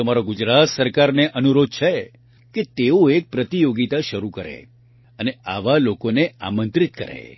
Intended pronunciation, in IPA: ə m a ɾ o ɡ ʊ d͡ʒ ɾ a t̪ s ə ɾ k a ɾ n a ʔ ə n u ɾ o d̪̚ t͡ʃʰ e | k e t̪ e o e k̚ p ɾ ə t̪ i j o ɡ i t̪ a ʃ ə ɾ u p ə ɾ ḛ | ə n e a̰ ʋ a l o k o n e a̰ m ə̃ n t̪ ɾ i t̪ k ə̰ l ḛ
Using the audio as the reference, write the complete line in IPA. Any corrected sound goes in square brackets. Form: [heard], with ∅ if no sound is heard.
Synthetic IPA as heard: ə m a ɾ o ɡ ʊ d͡ʒ ɾ a t̪ s ə ɾ k a ɾ n [e] ʔ ə n u ɾ o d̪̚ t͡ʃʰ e | k e t̪ e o e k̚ p ɾ ə t̪ i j o ɡ i t̪ a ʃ ə ɾ u [k] ə ɾ ḛ | ə n e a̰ ʋ a l o k o n e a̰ m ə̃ n t̪ ɾ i t̪ k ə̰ [ɾ] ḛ